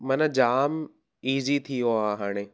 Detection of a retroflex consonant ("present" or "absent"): present